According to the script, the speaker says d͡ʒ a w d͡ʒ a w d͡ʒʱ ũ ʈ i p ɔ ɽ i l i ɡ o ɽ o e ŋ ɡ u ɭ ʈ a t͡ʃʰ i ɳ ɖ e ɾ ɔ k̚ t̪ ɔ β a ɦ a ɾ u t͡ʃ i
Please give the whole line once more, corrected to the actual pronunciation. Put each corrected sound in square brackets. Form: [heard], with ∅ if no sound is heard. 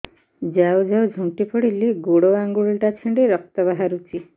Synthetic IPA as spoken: d͡ʒ a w d͡ʒ a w d͡ʒʱ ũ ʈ i p ɔ ɽ i l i ɡ o ɽ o [a] ŋ ɡ u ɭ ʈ a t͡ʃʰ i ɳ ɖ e ɾ ɔ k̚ t̪ ɔ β a ɦ a ɾ u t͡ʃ i